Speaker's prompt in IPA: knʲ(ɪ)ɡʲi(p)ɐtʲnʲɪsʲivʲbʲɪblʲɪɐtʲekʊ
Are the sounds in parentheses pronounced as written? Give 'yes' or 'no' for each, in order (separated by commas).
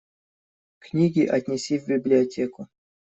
no, no